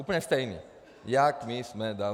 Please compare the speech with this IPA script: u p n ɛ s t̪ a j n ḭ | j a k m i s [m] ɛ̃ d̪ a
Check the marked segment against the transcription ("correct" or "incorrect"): correct